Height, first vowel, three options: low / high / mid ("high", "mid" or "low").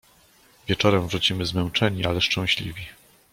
mid